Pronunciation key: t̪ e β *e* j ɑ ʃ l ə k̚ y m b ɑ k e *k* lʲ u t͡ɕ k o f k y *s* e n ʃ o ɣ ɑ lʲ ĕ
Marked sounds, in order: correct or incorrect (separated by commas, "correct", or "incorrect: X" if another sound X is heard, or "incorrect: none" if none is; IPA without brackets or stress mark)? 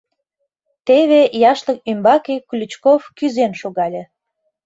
correct, correct, incorrect: z